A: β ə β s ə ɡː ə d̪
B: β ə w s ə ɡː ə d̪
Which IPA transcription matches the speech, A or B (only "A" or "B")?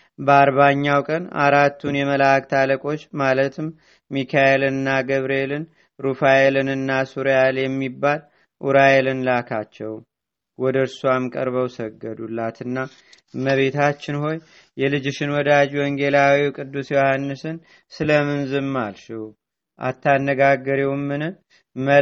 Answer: B